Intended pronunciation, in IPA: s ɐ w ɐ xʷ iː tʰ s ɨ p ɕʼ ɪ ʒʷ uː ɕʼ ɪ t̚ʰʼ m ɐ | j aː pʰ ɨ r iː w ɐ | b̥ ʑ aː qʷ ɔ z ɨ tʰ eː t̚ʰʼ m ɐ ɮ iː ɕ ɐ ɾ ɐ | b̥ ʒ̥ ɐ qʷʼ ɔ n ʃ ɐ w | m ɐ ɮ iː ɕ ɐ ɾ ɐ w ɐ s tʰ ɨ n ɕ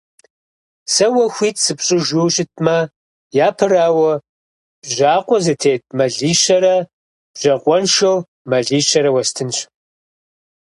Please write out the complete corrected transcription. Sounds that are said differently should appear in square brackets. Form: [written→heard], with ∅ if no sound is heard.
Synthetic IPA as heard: s ɐ w ɐ xʷ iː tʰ s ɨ p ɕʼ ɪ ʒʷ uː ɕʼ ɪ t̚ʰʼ m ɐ | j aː pʰ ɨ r [iː→aː] w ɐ | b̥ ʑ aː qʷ ɔ z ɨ tʰ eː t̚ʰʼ m ɐ ɮ iː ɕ ɐ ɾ ɐ | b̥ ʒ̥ ɐ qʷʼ ɔ n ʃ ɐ w | m ɐ ɮ iː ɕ ɐ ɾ ɐ w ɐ s tʰ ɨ n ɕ

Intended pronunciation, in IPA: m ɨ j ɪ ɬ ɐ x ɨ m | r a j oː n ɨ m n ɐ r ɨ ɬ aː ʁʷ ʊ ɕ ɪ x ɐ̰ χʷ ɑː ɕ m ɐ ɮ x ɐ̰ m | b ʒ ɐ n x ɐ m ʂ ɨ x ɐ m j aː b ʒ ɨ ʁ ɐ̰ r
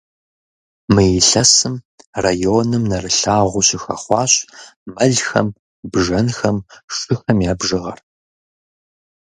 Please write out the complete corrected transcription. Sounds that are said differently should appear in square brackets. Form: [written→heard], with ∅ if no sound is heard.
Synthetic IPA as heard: m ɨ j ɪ ɬ ɐ [x→s] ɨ m | r a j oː n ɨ m n ɐ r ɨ ɬ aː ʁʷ ʊ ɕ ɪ x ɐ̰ χʷ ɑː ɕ m ɐ ɮ x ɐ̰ m | b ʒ ɐ n x ɐ m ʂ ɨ x ɐ m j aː b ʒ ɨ ʁ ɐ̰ r

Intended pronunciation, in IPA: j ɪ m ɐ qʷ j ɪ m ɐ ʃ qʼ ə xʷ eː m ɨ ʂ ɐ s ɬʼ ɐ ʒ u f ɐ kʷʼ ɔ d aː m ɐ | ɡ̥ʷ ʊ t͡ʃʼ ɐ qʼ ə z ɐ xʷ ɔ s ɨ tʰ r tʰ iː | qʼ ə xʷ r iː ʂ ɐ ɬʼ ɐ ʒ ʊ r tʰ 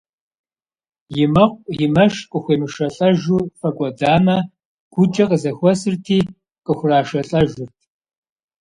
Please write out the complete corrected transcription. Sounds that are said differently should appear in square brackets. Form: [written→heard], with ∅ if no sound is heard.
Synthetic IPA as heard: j ɪ m ɐ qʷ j ɪ m ɐ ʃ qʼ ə xʷ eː m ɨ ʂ ɐ [s→∅] ɬʼ ɐ ʒ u f ɐ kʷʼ ɔ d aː m ɐ | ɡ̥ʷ ʊ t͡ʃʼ ɐ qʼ ə z ɐ xʷ ɔ s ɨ [tʰ→∅] r tʰ iː | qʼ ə xʷ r [iː→aː] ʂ ɐ ɬʼ ɐ ʒ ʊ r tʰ

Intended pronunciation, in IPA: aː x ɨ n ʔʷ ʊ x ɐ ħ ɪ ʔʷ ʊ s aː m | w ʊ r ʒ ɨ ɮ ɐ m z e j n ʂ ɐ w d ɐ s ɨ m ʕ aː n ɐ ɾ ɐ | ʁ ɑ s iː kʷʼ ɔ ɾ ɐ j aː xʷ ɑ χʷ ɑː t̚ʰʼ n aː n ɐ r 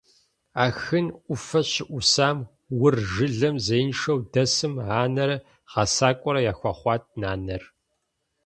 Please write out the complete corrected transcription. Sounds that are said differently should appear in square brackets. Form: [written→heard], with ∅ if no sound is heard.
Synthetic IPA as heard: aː x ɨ n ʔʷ ʊ [x→f] ɐ [ħ→ɕ] ɪ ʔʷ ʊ s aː m | w ʊ r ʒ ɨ ɮ ɐ m z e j n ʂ ɐ w d ɐ s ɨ m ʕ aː n ɐ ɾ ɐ | ʁ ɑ s [iː→aː] kʷʼ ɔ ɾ ɐ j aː xʷ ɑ χʷ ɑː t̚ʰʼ n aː n ɐ r

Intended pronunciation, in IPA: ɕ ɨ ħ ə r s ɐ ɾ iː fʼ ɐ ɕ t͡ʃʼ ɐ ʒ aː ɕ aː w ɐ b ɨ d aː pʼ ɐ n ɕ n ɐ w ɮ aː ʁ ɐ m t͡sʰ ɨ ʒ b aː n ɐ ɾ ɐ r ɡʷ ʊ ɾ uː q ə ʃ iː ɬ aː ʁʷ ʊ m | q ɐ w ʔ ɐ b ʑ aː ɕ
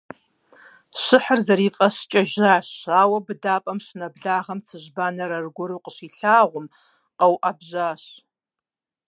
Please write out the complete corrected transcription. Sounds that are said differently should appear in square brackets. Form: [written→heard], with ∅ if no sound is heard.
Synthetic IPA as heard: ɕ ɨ ħ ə r [s→z] ɐ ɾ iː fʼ ɐ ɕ t͡ʃʼ ɐ ʒ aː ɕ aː w ɐ b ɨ d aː pʼ ɐ [n→m] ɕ n ɐ [w→b] ɮ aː ʁ ɐ m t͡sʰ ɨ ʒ b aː n ɐ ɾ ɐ r ɡʷ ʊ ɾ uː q ə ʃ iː ɬ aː ʁʷ ʊ m | q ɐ w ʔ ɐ b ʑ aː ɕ

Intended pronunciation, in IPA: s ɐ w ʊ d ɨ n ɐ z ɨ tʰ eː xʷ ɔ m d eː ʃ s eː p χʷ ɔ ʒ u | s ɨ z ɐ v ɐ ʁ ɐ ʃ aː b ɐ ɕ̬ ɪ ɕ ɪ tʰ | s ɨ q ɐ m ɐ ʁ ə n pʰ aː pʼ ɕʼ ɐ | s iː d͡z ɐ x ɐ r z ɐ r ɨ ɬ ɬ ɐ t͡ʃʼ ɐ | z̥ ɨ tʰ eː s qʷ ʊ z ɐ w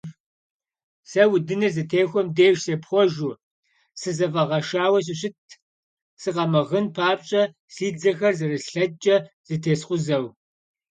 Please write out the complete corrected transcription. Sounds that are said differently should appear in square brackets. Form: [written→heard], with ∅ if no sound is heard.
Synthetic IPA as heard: s ɐ w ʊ d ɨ n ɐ z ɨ tʰ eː xʷ ɔ m d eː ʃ s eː p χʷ ɔ ʒ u | s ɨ z ɐ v ɐ ʁ ɐ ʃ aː [b→w] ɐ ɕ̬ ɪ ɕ ɪ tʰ | s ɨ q ɐ m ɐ ʁ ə n pʰ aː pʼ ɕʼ ɐ | s iː d͡z ɐ x ɐ r z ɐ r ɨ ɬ ɬ ɐ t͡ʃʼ ɐ | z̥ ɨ tʰ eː s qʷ ʊ z ɐ w

